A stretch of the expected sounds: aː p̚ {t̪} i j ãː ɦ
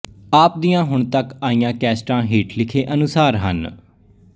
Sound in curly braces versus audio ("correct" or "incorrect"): incorrect